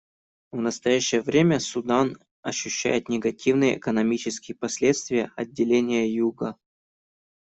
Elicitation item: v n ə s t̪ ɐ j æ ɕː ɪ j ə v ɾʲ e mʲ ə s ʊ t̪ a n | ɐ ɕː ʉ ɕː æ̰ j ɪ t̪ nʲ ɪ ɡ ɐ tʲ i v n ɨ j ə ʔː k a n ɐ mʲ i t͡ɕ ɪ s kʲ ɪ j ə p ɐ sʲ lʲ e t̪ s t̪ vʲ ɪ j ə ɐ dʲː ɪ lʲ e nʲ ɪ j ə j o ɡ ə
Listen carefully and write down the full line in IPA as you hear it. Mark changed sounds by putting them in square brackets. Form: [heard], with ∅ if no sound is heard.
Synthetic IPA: v n ə s t̪ ɐ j æ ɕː ɪ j ə v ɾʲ e mʲ ə s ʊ [d̪] a n | ɐ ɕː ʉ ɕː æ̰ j ɪ t̪ nʲ ɪ ɡ ɐ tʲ i v n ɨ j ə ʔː k [ə] n ɐ mʲ i t͡ɕ ɪ s kʲ ɪ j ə p ɐ sʲ lʲ e t̪ s t̪ vʲ ɪ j ə ɐ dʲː ɪ lʲ e nʲ ɪ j ə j [u] ɡ ə